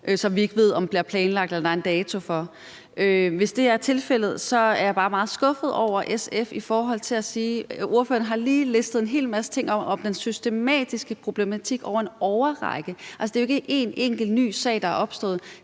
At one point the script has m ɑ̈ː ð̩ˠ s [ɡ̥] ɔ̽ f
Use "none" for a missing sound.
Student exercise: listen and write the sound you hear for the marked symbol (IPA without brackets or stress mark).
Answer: ɡ̥